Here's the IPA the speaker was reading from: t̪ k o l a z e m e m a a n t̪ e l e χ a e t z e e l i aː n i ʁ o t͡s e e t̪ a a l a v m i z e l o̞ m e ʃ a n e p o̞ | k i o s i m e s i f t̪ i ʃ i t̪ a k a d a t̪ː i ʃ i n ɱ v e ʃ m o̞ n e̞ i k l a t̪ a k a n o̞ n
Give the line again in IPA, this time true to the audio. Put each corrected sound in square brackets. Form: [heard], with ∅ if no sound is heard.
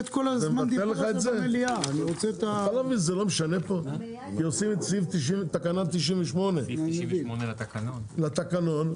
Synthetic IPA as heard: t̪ k o l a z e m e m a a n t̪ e l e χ a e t z e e l i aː n i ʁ o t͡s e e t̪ a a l a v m i z e l o̞ m e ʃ a n e p o̞ | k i o s i m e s i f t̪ i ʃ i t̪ a k a [n] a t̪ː i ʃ i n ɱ v e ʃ m o̞ n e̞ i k l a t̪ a k a n o̞ n